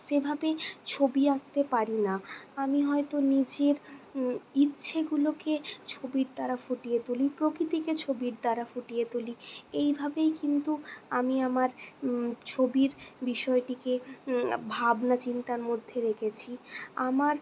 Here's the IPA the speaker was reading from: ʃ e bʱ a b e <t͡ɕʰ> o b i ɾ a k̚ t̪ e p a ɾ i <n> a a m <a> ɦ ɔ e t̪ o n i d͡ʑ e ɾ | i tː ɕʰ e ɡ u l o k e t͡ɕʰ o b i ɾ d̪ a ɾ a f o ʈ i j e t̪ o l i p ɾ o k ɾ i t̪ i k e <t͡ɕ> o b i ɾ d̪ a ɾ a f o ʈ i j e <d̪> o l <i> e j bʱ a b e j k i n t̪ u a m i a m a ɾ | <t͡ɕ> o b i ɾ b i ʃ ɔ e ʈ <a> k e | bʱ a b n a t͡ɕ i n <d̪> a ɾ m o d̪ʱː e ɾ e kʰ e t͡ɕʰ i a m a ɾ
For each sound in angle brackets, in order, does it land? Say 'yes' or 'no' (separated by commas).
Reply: yes, yes, no, no, no, yes, no, no, no